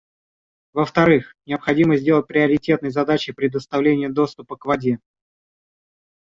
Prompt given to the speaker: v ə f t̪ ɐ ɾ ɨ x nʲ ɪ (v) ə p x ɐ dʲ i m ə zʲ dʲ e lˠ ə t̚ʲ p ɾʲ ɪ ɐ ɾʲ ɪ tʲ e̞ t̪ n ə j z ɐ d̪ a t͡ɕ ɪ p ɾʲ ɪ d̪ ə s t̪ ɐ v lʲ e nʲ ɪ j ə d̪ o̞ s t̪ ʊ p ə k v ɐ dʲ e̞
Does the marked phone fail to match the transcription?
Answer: yes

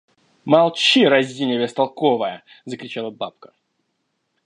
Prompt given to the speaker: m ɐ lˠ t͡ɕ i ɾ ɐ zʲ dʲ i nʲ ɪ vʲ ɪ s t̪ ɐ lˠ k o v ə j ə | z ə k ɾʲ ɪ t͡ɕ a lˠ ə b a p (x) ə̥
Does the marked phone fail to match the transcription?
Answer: yes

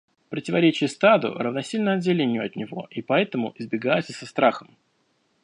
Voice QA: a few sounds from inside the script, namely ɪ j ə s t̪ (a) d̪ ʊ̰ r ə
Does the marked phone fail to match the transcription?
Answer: no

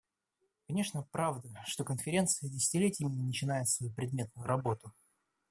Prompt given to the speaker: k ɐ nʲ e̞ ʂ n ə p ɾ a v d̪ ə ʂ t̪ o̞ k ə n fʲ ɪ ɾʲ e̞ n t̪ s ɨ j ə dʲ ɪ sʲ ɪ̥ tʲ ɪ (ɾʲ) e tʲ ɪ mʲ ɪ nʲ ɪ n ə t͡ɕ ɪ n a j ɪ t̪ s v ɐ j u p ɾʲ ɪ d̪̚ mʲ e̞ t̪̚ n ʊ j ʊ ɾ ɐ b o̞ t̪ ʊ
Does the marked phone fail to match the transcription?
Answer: yes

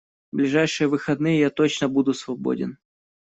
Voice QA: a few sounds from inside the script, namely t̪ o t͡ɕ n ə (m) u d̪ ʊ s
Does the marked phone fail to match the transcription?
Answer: yes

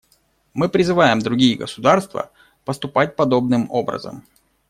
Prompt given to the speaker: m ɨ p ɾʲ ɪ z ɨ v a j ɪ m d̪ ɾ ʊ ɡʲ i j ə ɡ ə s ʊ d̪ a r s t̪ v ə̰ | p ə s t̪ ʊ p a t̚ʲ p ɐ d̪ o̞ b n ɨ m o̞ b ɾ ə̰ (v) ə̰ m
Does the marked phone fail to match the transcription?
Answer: yes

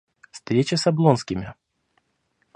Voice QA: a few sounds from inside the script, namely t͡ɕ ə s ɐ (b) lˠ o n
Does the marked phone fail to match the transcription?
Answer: no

